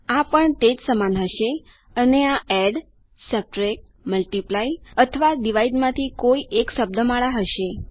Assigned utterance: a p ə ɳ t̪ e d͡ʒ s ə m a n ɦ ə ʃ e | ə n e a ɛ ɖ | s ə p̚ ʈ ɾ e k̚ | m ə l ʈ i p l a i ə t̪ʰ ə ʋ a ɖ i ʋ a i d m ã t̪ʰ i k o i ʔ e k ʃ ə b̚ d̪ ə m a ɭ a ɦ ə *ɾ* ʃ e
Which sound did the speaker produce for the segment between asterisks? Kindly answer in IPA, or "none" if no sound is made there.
none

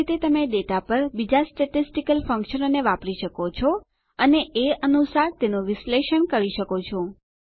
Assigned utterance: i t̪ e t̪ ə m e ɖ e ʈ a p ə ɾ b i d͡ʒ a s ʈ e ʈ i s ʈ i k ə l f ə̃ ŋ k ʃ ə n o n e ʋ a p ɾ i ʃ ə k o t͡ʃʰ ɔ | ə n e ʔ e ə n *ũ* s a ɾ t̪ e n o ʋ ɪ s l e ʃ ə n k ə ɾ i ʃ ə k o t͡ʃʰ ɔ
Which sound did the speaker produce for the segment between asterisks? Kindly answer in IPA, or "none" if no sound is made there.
u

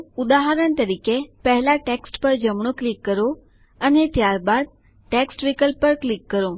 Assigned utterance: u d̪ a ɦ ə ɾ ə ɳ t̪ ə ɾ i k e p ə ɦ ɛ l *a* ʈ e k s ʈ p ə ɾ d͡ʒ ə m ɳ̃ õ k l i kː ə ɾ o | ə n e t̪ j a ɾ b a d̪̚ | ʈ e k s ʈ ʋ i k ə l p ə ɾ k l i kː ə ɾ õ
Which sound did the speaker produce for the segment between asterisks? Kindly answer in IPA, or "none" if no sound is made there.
a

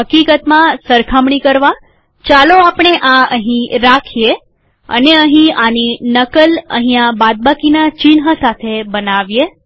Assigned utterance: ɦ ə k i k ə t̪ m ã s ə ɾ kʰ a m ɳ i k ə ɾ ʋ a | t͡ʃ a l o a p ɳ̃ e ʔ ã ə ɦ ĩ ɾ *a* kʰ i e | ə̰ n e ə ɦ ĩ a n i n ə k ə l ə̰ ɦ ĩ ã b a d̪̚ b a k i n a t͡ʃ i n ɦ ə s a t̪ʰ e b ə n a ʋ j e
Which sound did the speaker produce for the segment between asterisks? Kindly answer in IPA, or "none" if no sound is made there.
a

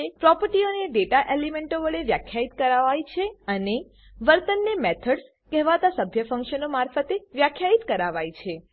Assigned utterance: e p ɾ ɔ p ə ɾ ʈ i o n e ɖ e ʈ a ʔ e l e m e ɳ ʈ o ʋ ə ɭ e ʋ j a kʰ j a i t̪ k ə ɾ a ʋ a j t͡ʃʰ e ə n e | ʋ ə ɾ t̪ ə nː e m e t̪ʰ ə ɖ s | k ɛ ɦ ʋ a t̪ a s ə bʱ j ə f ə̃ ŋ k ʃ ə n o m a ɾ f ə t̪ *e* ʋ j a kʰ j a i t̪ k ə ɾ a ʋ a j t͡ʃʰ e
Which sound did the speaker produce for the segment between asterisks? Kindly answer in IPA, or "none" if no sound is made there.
e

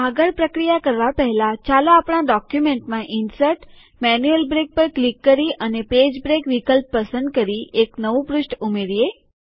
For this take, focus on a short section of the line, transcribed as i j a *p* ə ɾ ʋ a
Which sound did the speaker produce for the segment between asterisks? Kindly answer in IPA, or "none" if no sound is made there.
k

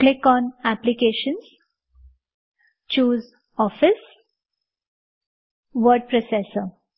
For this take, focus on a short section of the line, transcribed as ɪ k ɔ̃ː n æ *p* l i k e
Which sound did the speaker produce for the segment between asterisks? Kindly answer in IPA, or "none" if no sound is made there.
p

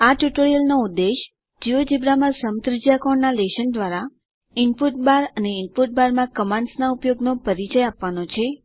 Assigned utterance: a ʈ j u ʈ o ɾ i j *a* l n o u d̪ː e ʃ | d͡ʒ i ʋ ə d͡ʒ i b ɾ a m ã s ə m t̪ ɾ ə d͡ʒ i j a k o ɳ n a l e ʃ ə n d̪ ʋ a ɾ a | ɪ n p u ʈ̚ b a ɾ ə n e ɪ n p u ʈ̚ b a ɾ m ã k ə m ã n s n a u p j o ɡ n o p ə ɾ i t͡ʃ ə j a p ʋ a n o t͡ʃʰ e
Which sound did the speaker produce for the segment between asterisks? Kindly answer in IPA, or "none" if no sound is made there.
ə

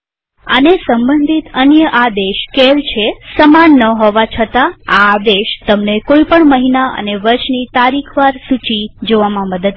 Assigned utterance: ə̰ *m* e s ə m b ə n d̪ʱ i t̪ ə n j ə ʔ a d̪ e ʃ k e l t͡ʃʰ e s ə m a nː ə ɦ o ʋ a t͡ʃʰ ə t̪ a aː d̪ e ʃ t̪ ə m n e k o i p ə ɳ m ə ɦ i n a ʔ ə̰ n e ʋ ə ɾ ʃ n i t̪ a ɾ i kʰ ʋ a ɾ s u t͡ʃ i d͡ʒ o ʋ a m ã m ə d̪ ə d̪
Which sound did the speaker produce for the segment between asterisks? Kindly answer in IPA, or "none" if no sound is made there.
n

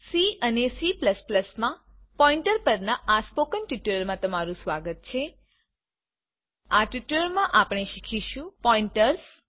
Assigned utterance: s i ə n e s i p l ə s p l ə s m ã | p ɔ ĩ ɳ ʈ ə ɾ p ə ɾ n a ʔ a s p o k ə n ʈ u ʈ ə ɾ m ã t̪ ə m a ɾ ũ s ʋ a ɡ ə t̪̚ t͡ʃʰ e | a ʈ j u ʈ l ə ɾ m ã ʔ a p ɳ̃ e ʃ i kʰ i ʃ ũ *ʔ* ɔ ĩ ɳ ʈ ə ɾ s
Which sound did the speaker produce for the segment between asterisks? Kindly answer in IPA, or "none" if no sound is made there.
p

